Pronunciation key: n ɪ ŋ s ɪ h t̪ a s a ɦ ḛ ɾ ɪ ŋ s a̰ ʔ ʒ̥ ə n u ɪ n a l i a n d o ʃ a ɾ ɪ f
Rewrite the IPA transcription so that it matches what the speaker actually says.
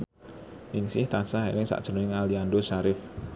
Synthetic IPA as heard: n ɪ ŋ s ɪ h t̪ a s a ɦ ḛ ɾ ɪ ŋ s a̰ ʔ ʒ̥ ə n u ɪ ŋ a l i a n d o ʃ a ɾ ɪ f